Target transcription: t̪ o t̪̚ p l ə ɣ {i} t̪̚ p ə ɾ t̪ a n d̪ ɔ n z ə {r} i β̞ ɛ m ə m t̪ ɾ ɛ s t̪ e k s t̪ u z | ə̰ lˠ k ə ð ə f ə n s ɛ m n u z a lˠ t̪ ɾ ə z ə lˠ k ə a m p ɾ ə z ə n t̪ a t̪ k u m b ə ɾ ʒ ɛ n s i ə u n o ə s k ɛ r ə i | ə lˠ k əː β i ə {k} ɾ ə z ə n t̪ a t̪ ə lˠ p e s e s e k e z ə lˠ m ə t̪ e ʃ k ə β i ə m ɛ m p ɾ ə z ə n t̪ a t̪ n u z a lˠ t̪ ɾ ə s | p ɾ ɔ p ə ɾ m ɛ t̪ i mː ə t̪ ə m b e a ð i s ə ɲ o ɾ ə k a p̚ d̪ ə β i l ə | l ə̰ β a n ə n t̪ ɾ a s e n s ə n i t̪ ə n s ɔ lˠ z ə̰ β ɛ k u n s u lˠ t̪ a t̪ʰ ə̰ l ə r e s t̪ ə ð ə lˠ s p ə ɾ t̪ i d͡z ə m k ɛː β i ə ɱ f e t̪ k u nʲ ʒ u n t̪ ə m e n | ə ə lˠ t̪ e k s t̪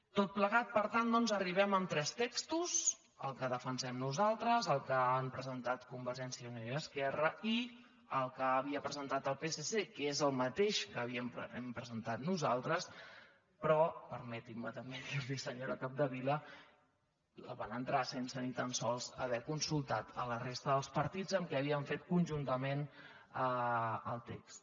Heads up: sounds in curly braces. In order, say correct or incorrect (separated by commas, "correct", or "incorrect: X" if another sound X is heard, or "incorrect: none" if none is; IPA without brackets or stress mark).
incorrect: a, correct, incorrect: p